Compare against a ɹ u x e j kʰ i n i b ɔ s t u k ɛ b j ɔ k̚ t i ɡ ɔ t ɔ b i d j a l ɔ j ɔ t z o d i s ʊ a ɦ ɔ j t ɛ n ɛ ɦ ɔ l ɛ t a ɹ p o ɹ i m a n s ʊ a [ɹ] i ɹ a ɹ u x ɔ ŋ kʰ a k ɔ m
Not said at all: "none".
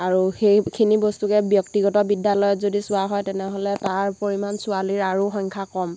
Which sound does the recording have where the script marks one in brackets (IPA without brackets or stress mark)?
l